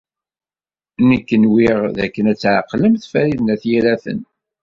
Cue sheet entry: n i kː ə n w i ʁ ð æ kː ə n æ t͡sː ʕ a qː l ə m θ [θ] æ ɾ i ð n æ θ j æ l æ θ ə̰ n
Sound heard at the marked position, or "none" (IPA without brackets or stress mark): f